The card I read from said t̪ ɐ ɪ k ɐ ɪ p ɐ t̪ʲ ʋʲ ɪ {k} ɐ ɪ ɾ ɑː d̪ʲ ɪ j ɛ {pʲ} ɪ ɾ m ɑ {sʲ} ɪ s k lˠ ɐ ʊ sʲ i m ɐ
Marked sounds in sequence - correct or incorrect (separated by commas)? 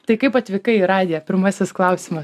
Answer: correct, correct, correct